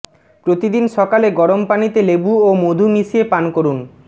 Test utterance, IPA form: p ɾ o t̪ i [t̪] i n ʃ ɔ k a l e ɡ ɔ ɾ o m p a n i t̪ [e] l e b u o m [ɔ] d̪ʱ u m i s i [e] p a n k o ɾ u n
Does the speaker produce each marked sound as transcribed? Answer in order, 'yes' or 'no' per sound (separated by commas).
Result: no, yes, no, yes